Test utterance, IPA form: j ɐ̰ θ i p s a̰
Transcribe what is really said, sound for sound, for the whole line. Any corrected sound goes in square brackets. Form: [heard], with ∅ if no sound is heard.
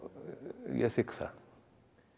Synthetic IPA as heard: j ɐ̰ [s] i [k] s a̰